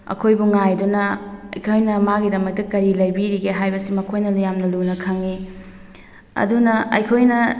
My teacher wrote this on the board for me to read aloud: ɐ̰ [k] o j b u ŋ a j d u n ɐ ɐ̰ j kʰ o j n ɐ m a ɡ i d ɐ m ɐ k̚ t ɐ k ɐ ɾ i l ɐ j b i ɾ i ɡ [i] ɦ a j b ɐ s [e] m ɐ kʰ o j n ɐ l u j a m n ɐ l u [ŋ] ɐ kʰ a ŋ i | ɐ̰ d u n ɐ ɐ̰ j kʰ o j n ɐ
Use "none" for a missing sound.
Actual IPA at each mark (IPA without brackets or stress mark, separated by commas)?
kʰ, e, i, n